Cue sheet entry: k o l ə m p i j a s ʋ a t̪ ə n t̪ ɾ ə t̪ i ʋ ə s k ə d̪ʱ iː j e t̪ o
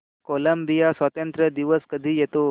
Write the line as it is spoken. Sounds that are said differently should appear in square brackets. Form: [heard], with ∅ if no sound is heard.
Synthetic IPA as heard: k o l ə m [b] i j a s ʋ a t̪ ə n t̪ ɾ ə [d̪] i ʋ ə s k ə d̪ʱ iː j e t̪ o